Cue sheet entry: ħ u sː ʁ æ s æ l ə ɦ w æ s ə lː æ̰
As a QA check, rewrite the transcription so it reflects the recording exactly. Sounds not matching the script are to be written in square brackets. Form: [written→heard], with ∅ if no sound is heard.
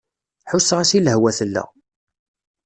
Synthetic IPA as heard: ħ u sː ʁ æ s [æ→i] l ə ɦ w æ [s→θ] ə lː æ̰